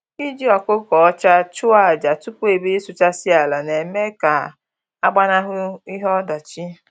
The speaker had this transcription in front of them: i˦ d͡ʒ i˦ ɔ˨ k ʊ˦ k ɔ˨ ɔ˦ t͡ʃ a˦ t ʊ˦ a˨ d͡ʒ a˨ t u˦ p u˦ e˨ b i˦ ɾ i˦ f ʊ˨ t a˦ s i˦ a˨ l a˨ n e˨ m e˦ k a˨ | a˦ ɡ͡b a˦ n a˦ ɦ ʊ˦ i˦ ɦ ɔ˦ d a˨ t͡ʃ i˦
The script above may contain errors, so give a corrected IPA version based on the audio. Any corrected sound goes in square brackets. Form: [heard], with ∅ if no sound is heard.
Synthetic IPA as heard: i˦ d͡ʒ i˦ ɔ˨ k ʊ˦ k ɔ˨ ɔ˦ t͡ʃ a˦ [t͡ʃ] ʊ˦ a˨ d͡ʒ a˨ t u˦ p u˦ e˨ b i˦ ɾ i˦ [s] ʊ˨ [t͡ʃ] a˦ s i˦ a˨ l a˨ n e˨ m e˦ k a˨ | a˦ ɡ͡b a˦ n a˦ ɦ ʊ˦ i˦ ɦ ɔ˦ d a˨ t͡ʃ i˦